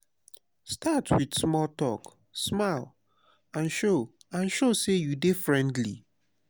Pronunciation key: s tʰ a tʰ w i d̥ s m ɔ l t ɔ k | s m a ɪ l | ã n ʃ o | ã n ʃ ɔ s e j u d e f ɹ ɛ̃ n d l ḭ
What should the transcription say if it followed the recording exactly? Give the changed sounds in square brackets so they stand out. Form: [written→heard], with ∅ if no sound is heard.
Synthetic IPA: s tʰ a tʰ w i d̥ s m ɔ l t ɔ k | s m a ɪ l | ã n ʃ o | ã n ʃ [ɔ→o] s e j u d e f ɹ ɛ̃ n d l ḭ